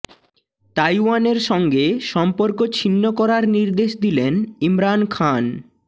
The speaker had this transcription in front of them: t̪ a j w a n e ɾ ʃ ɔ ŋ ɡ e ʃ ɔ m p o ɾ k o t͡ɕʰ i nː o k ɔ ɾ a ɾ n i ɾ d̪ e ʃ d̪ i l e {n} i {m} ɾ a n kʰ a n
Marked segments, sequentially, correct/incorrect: correct, correct

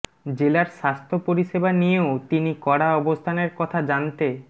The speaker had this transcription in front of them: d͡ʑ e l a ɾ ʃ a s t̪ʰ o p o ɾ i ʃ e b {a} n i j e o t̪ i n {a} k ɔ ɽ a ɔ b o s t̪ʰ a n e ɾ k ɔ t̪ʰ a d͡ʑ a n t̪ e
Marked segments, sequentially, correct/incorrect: correct, incorrect: i

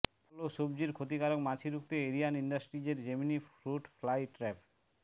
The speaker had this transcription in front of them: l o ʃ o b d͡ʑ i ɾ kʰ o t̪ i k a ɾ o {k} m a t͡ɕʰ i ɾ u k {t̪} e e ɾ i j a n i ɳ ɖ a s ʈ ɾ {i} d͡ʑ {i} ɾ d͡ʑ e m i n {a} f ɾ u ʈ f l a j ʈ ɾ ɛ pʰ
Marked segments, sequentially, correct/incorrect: correct, correct, correct, incorrect: e, incorrect: i

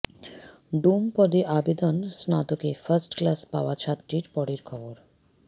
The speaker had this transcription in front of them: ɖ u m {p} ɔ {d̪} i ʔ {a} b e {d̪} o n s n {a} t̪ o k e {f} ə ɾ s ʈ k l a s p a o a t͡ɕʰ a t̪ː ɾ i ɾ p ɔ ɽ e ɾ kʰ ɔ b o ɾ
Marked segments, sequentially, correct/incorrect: correct, correct, correct, correct, correct, correct

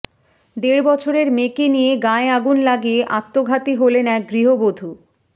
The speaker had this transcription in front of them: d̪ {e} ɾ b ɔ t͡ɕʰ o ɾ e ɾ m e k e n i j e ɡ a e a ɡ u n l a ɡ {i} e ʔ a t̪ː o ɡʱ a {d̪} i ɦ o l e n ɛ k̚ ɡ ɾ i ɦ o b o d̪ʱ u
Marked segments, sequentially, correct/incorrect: correct, correct, incorrect: t̪

